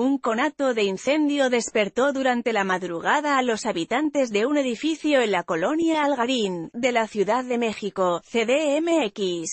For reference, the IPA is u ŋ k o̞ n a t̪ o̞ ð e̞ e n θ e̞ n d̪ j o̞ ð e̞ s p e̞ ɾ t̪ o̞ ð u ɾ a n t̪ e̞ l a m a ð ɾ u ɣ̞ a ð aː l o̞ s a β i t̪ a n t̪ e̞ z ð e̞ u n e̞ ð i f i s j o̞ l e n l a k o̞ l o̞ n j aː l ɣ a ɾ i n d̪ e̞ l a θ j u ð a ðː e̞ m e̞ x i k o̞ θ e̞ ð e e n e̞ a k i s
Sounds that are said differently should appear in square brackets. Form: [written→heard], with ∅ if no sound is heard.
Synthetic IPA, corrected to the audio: u ŋ k o̞ n a t̪ o̞ ð e̞ [e→i] n θ e̞ n d̪ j o̞ ð e̞ s p e̞ ɾ t̪ o̞ ð u ɾ a n t̪ e̞ l a m a ð ɾ u ɣ̞ a ð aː l o̞ s a β i t̪ a n t̪ e̞ z ð e̞ u n e̞ ð i f i [s→θ] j o̞ [l→∅] e n l a k o̞ l o̞ n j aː l ɣ a ɾ i n d̪ e̞ l a θ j u ð a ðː e̞ m e̞ x i k o̞ θ e̞ ð e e [n→m] e̞ [a→e] k i s